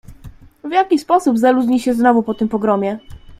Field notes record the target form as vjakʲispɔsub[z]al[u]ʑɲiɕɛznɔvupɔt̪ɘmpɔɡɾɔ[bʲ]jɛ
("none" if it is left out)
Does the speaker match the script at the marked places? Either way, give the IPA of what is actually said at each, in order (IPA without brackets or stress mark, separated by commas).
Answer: z, u, mʲ